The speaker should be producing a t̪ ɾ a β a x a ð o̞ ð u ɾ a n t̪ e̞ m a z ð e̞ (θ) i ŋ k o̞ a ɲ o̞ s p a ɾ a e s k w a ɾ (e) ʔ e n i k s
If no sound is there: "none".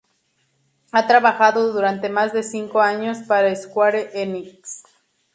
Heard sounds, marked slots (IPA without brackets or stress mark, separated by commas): s, e